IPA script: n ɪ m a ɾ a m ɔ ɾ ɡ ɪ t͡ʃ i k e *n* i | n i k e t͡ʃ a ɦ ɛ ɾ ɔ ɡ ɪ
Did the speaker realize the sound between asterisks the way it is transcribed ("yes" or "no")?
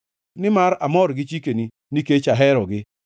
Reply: yes